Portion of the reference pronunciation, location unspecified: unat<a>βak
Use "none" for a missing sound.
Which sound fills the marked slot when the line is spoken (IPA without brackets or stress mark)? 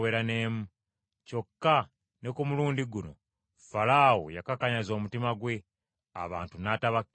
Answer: a